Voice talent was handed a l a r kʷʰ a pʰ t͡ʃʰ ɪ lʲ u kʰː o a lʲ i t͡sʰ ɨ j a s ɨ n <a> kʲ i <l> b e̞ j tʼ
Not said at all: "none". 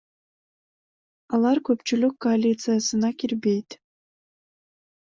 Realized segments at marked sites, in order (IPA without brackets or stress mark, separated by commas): a, r